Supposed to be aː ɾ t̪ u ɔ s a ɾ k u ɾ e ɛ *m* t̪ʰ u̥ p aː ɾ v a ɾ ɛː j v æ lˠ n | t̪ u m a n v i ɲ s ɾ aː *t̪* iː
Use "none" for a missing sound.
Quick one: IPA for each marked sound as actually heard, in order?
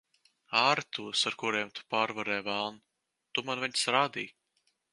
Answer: m, d̪

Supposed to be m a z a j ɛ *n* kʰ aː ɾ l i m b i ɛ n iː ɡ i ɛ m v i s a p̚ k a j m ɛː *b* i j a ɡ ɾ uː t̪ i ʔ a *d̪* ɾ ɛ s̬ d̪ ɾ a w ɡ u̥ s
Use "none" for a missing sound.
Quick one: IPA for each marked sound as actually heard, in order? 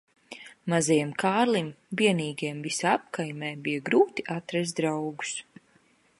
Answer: m, b, t̪

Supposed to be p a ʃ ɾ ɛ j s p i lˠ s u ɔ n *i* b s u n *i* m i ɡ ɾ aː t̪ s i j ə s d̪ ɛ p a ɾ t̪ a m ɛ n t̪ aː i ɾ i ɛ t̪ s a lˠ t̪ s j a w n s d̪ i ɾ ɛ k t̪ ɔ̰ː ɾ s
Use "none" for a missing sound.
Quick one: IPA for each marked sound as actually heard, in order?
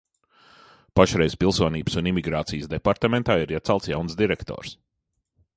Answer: iː, i

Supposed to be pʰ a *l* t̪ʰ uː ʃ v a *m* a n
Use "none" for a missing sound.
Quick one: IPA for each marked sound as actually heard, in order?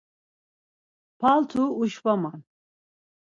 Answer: l, m

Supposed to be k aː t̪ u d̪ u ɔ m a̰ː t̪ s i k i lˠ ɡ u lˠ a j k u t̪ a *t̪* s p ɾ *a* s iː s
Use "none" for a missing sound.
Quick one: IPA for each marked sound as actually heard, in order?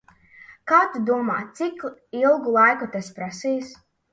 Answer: none, a

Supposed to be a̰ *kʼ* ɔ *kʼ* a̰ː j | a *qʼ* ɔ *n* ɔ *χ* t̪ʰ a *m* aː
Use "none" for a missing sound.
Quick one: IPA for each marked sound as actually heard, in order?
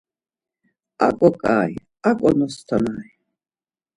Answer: kʼ, kʼ, kʼ, n, s, n

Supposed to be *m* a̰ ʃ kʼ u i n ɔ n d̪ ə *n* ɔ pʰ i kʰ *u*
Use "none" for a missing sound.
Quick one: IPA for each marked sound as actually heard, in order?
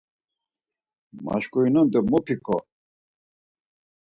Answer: m, m, ɔ

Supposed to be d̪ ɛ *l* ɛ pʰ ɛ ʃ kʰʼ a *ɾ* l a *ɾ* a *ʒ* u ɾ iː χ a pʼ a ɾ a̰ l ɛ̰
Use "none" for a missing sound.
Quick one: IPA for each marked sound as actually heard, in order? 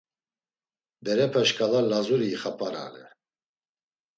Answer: ɾ, none, l, z

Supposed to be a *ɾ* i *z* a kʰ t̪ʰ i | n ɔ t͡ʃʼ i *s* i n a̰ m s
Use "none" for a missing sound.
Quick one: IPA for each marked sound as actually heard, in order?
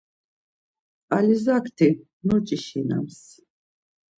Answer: l, z, ʃ

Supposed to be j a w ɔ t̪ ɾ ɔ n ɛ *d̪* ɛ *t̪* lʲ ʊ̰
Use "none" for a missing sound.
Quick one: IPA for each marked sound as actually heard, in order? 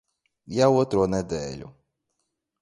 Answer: d̪, none

